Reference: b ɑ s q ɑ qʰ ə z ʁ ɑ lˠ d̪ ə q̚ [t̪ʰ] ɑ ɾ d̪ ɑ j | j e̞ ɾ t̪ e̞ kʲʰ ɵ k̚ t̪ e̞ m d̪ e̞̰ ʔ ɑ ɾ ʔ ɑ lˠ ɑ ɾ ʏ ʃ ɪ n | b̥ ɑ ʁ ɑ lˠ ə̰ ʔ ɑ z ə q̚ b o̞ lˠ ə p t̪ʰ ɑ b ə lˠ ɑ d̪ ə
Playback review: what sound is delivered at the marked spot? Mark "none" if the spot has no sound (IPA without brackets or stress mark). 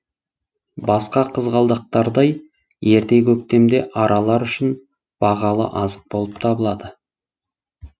t̪